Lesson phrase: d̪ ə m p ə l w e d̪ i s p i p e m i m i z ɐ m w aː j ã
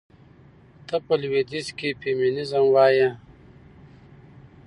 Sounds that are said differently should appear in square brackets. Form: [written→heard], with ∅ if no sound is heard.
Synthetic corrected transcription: [d̪→t̪] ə [m→∅] p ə l w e d̪ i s [p→k] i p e m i [m→n] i z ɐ m w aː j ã